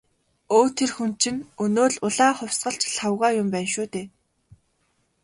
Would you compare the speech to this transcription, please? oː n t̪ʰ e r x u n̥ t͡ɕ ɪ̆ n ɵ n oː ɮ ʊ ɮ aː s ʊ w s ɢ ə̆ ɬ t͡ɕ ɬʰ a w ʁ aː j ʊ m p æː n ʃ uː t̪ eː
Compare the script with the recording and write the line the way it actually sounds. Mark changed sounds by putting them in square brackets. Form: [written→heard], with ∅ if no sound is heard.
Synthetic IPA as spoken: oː [n→∅] t̪ʰ e r x u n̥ t͡ɕ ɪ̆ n ɵ n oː ɮ ʊ ɮ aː [s→χ] ʊ w s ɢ ə̆ ɬ t͡ɕ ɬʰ a w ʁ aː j ʊ m p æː n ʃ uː t̪ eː

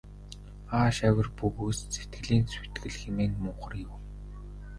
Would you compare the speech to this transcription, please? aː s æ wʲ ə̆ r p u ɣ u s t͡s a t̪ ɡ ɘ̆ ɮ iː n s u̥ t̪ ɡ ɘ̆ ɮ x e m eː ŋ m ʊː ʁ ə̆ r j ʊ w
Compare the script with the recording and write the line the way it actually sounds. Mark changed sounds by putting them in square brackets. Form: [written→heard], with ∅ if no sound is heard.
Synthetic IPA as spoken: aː [s→ʃ] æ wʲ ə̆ r p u ɣ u s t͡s [a→e] t̪ ɡ ɘ̆ ɮ iː n s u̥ t̪ ɡ ɘ̆ ɮ x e m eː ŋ m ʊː [ʁ→χ] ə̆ r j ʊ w

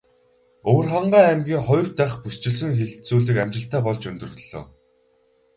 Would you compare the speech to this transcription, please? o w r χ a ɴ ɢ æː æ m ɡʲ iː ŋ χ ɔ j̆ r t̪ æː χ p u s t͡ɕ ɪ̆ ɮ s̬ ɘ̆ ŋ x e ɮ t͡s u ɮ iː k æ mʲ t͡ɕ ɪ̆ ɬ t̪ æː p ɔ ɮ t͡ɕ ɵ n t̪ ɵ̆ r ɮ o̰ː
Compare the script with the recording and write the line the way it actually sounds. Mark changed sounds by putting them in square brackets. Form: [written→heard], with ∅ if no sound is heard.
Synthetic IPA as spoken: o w r χ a ɴ ɢ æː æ m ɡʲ iː ŋ χ ɔ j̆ r t̪ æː χ p u s t͡ɕ ɪ̆ ɮ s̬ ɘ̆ ŋ x e ɮ t͡s [u→uː] ɮ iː k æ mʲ t͡ɕ ɪ̆ ɬ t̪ æː p ɔ ɮ t͡ɕ ɵ n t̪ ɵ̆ r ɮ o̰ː

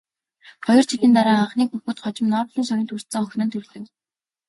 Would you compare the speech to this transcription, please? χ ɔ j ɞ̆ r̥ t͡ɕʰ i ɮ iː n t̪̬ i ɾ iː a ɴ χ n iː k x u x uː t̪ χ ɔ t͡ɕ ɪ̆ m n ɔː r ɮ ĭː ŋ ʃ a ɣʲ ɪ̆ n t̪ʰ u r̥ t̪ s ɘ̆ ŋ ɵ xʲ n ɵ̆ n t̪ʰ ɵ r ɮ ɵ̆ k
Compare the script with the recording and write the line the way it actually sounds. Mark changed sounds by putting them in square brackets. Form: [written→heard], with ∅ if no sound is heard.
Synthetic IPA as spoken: χ ɔ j ɞ̆ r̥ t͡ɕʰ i ɮ iː n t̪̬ [i→a] ɾ [iː→aː] a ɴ χ n iː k x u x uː t̪ χ ɔ t͡ɕ ɪ̆ m n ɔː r ɮ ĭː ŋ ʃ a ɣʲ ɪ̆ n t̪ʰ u r̥ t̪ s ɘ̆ ŋ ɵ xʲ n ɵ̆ n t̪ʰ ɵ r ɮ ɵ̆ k

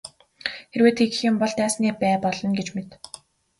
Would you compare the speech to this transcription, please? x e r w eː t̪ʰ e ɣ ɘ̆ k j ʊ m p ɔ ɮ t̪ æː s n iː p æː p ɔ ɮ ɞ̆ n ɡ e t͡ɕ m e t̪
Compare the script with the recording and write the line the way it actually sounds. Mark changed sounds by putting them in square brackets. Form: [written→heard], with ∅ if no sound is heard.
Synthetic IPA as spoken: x e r w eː t̪ʰ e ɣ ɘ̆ [k→x] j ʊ m p ɔ ɮ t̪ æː s n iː p æː p ɔ ɮ ɞ̆ n ɡ e t͡ɕ m e t̪

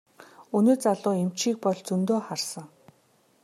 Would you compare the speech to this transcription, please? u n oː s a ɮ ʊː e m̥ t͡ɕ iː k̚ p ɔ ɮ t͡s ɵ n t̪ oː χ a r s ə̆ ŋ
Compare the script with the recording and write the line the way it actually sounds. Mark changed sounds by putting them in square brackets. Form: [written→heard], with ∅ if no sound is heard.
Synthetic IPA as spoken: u n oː [s→t͡s] a ɮ ʊː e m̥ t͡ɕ iː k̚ p ɔ ɮ t͡s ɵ n t̪ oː χ a r s ə̆ ŋ

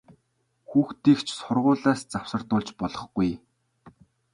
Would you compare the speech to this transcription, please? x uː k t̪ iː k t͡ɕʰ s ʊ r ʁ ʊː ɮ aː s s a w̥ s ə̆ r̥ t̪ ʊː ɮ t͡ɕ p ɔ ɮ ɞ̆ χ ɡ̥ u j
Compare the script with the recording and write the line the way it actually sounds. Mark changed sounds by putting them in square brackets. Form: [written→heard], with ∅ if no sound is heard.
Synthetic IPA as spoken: x uː [k→x] t̪ iː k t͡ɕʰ s ʊ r ʁ ʊː ɮ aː s [s→t͡s] a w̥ s ə̆ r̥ t̪ ʊː ɮ t͡ɕ p ɔ ɮ ɞ̆ χ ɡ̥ u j

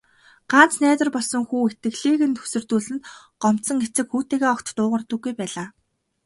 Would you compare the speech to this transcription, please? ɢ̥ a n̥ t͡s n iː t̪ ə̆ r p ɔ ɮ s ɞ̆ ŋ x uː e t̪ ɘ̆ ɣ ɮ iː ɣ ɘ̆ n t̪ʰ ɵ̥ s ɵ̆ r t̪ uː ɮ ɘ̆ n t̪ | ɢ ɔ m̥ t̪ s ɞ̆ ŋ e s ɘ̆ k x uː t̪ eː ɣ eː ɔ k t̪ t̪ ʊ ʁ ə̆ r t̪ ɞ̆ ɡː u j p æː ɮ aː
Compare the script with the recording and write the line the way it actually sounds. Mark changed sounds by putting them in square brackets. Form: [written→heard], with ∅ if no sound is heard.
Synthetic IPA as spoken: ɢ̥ a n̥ t͡s n [iː→æː] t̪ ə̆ r p ɔ ɮ s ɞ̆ ŋ x uː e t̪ ɘ̆ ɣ ɮ iː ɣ ɘ̆ n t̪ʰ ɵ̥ s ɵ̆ r t̪ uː ɮ ɘ̆ n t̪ | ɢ ɔ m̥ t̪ s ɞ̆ ŋ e [s→t͡s] ɘ̆ k x uː t̪ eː ɣ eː ɔ k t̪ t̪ [ʊ→ʊː] ʁ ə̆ r t̪ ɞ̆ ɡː u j p æː ɮ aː

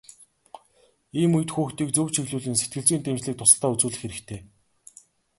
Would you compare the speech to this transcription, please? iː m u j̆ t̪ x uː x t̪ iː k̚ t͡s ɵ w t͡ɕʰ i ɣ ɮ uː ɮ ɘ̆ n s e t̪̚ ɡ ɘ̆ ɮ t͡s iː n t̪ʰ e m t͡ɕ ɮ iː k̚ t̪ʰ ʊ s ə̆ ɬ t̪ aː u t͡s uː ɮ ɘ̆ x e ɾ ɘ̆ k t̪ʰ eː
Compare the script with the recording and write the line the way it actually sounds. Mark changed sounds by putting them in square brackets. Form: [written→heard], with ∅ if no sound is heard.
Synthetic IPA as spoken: iː m u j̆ t̪ x uː x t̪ iː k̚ t͡s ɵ w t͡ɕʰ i ɣ ɮ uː ɮ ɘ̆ n s e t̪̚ ɡ ɘ̆ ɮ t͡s iː n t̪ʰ e m t͡ɕ ɮ iː k̚ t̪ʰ ʊ s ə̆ ɬ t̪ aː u t͡s uː ɮ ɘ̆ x e ɾ ɘ̆ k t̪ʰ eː

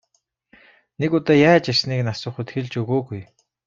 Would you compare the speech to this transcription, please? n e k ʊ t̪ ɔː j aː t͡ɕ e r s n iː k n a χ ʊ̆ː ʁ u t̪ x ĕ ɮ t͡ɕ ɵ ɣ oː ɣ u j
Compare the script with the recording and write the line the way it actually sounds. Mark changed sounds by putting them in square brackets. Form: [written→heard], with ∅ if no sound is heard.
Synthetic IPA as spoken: n e k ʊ t̪ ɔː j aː t͡ɕ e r s n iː k n a [χ→s] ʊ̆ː [ʁ→χ] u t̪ x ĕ ɮ t͡ɕ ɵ ɣ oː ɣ u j

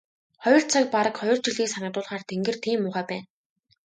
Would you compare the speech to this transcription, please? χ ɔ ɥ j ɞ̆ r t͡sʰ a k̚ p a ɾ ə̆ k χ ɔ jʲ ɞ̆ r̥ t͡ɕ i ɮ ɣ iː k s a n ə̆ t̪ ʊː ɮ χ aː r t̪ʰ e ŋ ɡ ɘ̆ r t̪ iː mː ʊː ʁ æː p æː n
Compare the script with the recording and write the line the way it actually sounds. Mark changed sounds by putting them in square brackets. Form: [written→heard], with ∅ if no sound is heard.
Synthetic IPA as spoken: χ ɔ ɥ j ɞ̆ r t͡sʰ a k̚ p a ɾ ə̆ k χ ɔ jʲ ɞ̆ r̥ t͡ɕ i ɮ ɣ iː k s a n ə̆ t̪ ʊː ɮ χ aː r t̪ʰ e ŋ ɡ ɘ̆ r [t̪→t̪ʰ] iː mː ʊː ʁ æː p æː n

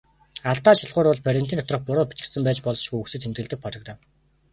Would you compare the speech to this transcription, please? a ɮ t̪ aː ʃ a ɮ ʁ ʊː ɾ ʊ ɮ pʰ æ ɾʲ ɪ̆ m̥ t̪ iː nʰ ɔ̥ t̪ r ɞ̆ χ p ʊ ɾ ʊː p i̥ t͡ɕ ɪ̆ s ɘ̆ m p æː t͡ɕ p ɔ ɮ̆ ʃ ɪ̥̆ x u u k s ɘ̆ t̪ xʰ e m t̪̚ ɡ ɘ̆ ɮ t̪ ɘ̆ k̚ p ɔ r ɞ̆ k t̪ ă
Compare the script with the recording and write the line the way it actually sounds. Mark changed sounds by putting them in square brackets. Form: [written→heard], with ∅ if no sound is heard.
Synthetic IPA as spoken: a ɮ t̪ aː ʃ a ɮ ʁ ʊː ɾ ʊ ɮ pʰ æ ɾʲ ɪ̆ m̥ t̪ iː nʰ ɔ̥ t̪ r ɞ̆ χ p ʊ ɾ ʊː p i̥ t͡ɕ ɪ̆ s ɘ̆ m p æː t͡ɕ p ɔ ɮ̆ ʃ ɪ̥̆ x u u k s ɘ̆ t̪ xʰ e m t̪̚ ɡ ɘ̆ ɮ t̪ ɘ̆ k̚ p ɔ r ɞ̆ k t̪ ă

